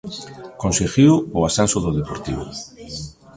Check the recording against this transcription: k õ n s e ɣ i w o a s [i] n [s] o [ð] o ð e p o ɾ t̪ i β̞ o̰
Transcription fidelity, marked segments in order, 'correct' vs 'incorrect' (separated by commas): incorrect, correct, correct